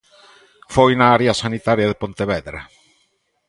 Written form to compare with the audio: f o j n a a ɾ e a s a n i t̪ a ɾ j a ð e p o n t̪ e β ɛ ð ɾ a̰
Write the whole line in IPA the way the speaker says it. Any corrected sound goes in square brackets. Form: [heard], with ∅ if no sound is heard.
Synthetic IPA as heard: f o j n a a ɾ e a s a n i t̪ a ɾ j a ð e p o n t̪ e β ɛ ð ɾ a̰